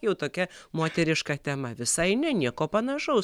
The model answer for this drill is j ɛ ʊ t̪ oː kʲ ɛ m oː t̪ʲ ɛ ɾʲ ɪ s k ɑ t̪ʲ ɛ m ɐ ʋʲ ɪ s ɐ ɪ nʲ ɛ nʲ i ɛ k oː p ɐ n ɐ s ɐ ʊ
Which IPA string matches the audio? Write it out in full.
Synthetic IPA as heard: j ɛ ʊ t̪ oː kʲ ɛ m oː t̪ʲ ɛ ɾʲ ɪ ʃ k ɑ t̪ʲ ɛ m ɐ ʋʲ ɪ s ɐ ɪ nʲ ɛ nʲ i ɛ k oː p ɐ n ɐ ʃ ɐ ʊ

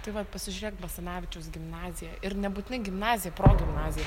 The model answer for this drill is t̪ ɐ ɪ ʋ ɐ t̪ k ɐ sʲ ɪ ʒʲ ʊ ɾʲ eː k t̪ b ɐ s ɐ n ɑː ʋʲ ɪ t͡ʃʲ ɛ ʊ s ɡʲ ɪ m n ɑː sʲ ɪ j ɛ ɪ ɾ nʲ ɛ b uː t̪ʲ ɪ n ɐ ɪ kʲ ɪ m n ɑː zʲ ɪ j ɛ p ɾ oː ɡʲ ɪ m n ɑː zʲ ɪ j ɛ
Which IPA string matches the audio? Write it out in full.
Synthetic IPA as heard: t̪ ɐ ɪ ʋ ɐ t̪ p ɐ sʲ ɪ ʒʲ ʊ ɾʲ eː k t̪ b ɐ s ɐ n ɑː ʋʲ ɪ t͡ʃʲ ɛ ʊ s ɡʲ ɪ m n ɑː zʲ ɪ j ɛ ɪ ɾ nʲ ɛ b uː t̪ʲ ɪ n ɐ ɪ ɡʲ ɪ m n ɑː zʲ ɪ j ɛ p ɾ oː ɡʲ ɪ m n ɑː zʲ ɪ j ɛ

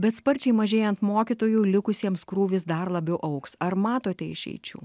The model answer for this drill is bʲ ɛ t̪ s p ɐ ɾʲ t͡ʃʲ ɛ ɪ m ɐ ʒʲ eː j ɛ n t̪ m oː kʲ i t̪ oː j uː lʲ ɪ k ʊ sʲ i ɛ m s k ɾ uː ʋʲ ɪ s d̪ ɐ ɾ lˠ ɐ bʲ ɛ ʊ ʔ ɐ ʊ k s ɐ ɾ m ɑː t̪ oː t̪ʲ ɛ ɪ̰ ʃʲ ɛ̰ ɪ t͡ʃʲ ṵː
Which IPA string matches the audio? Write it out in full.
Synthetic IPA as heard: bʲ ɛ t̪ s p ɐ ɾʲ t͡ʃʲ ɛ ɪ m ɐ ʒʲ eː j ɛ n t̪ m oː kʲ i t̪ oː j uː lʲ ɪ k ʊ sʲ i ɛ m s k ɾ uː ʋʲ ɪ s d̪ ɐ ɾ lˠ ɐ bʲ ɛ ʊ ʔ ɐ ʊ k s ɐ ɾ m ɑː t̪ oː t̪ʲ ɛ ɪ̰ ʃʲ ɛ̰ ɪ t͡ʃʲ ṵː

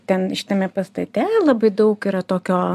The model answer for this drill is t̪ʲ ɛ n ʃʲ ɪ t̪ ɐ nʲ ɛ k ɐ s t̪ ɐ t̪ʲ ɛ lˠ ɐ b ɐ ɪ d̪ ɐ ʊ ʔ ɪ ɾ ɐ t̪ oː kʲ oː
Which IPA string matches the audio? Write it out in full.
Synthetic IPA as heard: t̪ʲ ɛ n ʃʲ ɪ t̪ ɐ mʲ ɛ p ɐ s t̪ ɐ t̪ʲ ɛ lˠ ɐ b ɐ ɪ d̪ ɐ ʊ k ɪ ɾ ɐ t̪ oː kʲ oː

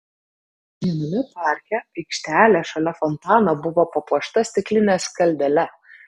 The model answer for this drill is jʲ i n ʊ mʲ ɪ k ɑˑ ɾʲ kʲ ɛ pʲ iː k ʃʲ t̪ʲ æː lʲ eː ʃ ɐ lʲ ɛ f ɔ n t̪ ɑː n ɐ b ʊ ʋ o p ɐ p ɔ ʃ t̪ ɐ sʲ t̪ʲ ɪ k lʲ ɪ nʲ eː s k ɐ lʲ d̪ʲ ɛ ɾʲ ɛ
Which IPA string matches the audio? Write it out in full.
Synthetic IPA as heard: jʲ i n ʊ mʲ ɪ p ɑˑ ɾʲ kʲ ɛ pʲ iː k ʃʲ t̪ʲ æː lʲ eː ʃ ɐ lʲ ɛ f ɔ n t̪ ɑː n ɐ b ʊ ʋ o p ɐ p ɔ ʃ t̪ ɐ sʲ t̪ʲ ɪ k lʲ ɪ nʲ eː s k ɐ lʲ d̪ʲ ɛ lʲ ɛ

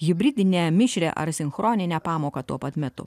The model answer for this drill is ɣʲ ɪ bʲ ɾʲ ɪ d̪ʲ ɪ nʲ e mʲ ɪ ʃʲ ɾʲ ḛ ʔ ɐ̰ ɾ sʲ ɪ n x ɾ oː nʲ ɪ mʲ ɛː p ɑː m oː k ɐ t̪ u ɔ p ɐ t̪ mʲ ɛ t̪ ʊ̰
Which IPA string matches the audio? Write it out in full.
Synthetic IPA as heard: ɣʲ ɪ bʲ ɾʲ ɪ d̪ʲ ɪ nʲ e mʲ ɪ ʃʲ ɾʲ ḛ ʔ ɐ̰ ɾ sʲ ɪ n x ɾ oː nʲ ɪ nʲ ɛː p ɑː m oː k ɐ t̪ u ɔ p ɐ t̪ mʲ ɛ t̪ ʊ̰

